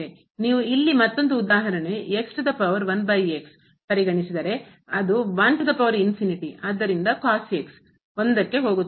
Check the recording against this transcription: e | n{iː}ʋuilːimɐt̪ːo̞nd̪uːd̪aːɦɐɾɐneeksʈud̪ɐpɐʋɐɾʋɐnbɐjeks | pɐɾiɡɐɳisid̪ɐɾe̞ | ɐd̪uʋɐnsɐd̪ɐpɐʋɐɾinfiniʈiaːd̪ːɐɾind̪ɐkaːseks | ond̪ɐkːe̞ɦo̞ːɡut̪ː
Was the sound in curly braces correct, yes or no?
yes